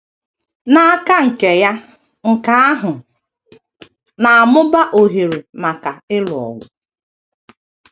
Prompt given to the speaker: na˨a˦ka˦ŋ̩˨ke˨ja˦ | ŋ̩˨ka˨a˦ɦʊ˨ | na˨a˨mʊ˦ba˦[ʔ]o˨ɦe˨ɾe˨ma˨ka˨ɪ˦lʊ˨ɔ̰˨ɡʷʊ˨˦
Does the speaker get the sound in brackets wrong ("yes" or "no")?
no